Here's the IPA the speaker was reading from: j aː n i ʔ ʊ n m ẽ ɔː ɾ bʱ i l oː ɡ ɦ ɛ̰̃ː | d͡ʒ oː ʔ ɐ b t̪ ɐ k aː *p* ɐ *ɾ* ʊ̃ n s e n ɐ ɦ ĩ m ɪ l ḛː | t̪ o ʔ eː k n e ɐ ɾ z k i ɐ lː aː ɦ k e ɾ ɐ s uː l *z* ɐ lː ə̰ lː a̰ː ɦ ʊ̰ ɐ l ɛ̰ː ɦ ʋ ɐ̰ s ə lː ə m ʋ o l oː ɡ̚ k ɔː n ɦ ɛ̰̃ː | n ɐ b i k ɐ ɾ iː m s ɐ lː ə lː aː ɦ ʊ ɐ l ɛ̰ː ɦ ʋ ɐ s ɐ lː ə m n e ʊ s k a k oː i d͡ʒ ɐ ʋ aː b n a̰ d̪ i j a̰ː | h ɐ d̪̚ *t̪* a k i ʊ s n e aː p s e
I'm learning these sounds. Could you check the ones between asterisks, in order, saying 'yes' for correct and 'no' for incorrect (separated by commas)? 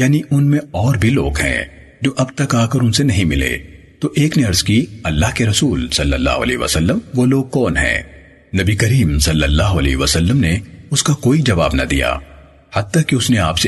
no, yes, no, yes